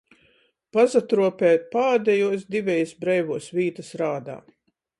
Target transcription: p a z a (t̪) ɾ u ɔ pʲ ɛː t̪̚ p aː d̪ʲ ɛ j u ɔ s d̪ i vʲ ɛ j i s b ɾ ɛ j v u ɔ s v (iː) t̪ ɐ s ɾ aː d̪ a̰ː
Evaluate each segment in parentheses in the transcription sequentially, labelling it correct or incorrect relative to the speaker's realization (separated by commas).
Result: correct, correct